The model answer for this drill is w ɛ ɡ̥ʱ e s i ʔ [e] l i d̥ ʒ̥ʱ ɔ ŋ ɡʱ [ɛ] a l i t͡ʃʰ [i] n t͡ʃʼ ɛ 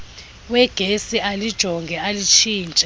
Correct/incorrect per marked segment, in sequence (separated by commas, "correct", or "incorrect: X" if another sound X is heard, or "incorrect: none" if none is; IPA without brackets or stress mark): incorrect: a, correct, incorrect: iː